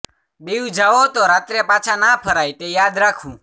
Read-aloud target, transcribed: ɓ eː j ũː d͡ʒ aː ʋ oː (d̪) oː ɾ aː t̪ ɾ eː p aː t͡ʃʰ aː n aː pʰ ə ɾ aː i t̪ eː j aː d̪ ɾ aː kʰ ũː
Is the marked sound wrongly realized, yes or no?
yes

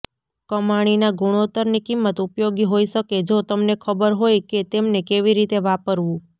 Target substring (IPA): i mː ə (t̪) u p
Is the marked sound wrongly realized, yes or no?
no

